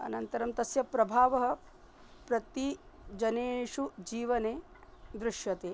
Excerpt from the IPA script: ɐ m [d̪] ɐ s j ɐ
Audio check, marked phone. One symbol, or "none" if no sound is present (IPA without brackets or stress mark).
t̪